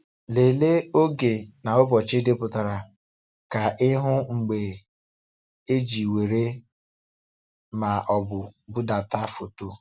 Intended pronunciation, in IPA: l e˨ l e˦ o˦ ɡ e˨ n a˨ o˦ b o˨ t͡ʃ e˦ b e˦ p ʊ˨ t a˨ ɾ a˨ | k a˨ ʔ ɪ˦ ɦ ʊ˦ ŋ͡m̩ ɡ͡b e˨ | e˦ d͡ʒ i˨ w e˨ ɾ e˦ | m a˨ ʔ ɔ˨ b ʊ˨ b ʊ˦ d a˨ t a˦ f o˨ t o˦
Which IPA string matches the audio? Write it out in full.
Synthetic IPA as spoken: l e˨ l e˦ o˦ ɡ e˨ n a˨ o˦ b ɔ˨ t͡ʃ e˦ d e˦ p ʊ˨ t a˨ ɾ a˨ | k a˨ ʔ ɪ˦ ɦ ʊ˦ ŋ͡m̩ ɡ͡b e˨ | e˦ d͡ʒ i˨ w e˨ ɾ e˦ | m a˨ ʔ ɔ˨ b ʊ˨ b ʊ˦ d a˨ t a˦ f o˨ t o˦